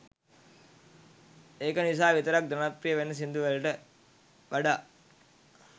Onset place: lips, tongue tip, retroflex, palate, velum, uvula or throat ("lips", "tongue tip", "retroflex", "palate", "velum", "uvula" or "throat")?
velum